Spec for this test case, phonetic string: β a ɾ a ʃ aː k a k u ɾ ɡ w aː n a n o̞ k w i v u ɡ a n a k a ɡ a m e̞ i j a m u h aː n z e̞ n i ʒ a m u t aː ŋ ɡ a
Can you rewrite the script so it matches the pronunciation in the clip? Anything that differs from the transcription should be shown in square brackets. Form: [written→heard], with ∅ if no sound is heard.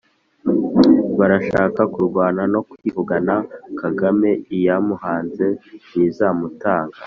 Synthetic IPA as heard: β a ɾ a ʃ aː k a k u ɾ ɡ w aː n a n o̞ k w i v u ɡ a n a k a ɡ a m e̞ i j a m u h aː n z e̞ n i [ʒ→z] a m u t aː ŋ ɡ a